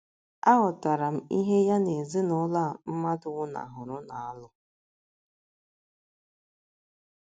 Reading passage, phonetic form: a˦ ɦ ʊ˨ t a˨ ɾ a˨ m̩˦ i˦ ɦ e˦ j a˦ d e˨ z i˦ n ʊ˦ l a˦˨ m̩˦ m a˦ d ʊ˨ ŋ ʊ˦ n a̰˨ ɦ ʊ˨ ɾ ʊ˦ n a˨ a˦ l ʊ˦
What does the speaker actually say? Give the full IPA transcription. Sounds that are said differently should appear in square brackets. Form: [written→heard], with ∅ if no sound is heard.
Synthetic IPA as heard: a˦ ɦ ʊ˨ t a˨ ɾ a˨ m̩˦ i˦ ɦ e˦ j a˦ [d→n] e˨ z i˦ n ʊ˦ l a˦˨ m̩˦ m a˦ d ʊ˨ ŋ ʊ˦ n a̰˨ ɦ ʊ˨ ɾ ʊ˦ n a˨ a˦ l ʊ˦